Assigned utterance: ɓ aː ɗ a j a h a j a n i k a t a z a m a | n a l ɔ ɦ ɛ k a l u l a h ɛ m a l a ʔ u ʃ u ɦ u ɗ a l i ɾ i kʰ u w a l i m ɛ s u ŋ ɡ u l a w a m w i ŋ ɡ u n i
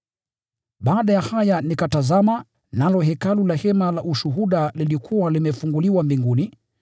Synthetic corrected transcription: ɓ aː ɗ a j a h a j a n i k a t a z a m a | n a l ɔ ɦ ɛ k a l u l a h ɛ m a l a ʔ u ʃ u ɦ u ɗ a l i l i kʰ u w a l i m ɛ f u ŋ ɡ u l i w a m b i ŋ ɡ u n i